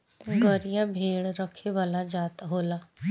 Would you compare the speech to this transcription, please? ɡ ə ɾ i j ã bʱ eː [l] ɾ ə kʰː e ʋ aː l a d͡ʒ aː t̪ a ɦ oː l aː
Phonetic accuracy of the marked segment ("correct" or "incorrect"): incorrect